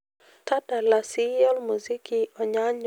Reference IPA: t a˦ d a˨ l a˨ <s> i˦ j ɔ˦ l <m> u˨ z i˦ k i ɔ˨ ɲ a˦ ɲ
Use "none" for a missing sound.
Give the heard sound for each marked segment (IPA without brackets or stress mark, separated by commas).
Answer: s, m